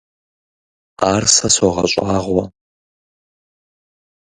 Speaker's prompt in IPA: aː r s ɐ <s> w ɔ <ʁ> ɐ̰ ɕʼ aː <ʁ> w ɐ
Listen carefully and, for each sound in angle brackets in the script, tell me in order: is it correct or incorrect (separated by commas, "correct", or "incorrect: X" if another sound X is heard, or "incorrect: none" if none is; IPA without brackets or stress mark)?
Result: correct, correct, correct